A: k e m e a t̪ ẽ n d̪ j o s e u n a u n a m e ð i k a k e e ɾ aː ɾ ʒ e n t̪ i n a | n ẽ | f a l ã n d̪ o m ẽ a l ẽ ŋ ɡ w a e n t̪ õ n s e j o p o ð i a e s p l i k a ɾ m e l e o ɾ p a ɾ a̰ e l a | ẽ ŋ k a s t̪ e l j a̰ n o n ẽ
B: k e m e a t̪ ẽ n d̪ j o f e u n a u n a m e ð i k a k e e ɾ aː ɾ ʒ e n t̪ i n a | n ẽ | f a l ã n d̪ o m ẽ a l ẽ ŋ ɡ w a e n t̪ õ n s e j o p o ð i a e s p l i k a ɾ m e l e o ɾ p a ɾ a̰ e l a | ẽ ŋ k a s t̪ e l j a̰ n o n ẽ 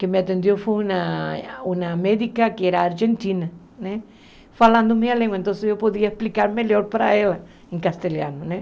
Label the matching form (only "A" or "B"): B